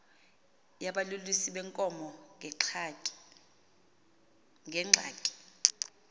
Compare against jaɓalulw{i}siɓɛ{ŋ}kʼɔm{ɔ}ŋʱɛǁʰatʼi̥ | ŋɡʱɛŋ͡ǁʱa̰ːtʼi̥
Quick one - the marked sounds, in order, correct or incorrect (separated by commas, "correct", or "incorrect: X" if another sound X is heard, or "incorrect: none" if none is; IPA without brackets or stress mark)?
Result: correct, correct, correct